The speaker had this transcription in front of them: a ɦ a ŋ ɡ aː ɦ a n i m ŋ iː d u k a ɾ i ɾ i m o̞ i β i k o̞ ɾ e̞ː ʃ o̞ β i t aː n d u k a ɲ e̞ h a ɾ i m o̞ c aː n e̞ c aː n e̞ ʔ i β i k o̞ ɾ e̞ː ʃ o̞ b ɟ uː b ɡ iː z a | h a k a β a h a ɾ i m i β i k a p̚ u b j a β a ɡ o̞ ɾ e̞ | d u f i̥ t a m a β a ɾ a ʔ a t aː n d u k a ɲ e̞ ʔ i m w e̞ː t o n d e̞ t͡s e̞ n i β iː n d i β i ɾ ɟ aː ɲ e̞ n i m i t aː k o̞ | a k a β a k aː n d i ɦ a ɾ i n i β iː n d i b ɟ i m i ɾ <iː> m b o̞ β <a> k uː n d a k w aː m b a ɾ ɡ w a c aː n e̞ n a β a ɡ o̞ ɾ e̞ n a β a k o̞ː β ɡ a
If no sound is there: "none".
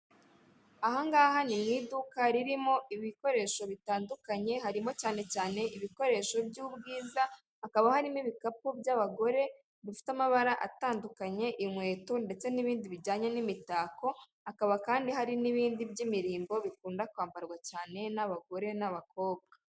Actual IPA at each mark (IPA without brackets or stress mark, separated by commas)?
iː, i